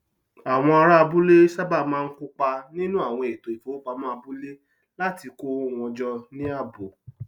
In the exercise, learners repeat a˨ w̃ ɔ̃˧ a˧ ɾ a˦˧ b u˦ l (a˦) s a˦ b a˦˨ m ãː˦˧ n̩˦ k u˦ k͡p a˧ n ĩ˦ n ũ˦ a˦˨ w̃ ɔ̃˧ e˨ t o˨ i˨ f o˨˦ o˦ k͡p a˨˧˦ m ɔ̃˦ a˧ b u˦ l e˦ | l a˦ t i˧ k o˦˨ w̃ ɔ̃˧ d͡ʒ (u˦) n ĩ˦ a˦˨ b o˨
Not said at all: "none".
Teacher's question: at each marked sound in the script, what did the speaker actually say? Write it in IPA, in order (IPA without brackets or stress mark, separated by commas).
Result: e˦, ɔ˦